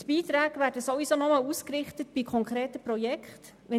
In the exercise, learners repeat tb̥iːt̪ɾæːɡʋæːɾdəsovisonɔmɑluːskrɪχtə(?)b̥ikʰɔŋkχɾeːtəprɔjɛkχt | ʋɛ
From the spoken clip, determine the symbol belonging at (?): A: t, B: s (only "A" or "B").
A